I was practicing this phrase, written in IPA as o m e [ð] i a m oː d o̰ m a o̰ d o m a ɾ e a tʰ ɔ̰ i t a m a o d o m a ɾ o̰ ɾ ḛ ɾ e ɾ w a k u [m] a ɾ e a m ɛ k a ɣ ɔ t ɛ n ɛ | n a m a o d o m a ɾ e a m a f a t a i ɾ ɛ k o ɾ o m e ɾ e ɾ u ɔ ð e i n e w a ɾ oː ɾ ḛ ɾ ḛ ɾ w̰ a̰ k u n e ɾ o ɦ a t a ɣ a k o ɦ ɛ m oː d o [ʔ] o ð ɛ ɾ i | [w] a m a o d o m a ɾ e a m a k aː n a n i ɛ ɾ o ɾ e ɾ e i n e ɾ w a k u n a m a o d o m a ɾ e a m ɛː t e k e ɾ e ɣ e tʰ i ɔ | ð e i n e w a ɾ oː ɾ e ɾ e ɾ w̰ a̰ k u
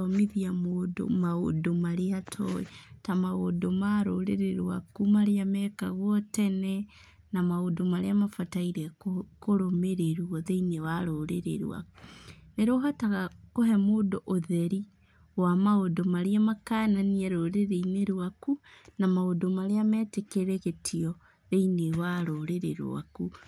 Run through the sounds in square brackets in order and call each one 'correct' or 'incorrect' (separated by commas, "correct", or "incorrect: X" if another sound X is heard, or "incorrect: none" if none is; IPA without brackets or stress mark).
correct, correct, correct, correct